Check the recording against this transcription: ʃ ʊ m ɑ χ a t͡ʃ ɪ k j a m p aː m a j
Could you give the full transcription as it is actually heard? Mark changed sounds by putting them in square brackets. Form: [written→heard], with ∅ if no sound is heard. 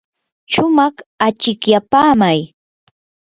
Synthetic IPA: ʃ ʊ m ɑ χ a t͡ʃ ɪ k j a [m→∅] p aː m a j